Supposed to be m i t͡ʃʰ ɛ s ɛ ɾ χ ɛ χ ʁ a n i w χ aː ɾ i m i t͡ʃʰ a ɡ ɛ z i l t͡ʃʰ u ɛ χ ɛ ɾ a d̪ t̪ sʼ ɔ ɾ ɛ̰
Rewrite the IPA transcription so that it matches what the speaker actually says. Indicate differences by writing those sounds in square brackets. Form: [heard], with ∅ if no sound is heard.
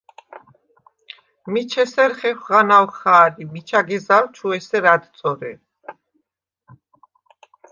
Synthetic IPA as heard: m i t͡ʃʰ ɛ s ɛ ɾ χ ɛ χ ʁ a n [a] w χ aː ɾ i m i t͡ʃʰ a ɡ ɛ z [a] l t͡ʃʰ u ɛ [s] ɛ ɾ a d̪ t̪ sʼ ɔ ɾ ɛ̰